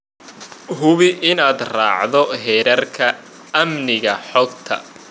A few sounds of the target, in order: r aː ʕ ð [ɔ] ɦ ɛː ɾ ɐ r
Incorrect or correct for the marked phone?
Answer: correct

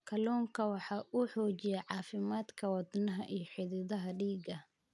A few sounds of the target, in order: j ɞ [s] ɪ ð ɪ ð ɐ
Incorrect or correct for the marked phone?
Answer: incorrect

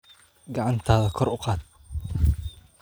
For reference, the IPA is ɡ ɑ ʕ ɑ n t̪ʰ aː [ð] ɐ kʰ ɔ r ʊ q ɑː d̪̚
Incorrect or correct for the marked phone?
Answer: correct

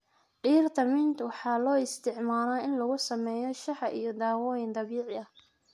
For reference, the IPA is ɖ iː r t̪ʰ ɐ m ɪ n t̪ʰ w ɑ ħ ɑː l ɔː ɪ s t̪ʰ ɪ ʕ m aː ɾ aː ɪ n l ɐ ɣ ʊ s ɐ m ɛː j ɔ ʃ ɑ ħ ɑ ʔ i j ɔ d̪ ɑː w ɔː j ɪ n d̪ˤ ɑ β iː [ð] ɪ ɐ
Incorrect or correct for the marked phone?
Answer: incorrect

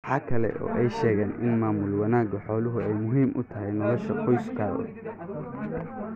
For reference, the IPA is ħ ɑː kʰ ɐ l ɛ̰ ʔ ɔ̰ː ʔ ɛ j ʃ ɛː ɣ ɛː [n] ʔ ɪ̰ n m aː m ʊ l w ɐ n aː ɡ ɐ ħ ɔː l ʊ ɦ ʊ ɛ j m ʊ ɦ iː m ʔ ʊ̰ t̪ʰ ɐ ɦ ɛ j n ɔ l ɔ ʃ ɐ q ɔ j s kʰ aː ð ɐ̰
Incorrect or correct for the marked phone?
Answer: correct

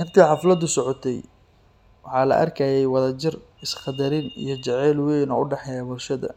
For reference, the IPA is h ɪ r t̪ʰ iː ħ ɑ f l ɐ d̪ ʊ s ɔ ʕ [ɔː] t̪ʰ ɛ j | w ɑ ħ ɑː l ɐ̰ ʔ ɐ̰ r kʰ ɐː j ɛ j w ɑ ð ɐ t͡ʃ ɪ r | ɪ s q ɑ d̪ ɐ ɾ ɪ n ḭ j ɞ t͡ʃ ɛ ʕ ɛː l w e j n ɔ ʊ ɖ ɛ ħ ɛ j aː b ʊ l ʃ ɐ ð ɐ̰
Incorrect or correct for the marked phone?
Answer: incorrect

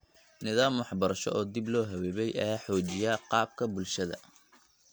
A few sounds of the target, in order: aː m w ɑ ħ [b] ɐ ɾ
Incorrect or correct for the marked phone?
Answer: correct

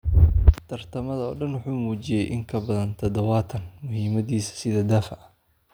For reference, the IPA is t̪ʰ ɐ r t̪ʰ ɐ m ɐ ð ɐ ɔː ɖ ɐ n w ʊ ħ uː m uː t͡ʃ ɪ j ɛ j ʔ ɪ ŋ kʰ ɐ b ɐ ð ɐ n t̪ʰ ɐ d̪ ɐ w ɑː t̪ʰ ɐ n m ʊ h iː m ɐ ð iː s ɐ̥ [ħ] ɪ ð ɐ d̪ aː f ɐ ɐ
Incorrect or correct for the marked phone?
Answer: incorrect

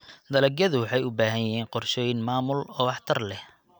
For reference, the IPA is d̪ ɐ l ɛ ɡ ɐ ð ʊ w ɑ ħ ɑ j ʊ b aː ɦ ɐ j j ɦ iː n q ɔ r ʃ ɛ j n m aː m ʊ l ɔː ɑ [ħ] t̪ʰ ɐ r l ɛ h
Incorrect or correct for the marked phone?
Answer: correct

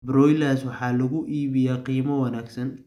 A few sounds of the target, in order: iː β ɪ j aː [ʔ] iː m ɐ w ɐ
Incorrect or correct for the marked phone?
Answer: incorrect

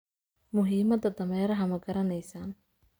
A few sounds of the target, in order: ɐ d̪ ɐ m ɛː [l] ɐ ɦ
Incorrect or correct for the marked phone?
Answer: incorrect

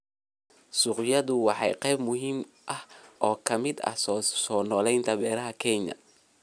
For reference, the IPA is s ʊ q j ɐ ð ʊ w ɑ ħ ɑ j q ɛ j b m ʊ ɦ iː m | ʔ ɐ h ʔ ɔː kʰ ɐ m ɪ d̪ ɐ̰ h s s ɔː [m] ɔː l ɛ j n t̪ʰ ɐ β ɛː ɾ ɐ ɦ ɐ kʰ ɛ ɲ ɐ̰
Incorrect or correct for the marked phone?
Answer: incorrect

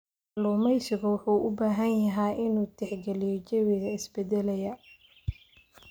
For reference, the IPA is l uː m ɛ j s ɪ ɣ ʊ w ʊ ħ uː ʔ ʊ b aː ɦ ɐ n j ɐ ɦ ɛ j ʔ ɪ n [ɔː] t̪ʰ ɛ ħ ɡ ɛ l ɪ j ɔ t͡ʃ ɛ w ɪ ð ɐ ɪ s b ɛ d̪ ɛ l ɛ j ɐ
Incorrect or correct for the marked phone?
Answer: incorrect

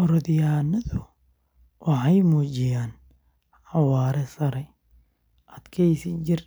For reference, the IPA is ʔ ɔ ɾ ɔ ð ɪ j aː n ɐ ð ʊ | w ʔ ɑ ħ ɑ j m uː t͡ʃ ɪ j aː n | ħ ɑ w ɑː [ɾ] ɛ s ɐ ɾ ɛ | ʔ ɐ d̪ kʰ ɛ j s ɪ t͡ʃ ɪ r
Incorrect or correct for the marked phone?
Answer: correct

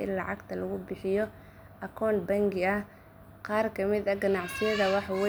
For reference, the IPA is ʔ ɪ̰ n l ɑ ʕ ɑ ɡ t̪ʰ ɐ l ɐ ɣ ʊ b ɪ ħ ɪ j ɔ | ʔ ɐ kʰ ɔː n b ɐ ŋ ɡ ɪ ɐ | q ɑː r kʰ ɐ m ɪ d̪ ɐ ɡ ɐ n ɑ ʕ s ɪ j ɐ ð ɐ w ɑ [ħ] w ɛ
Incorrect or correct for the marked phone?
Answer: correct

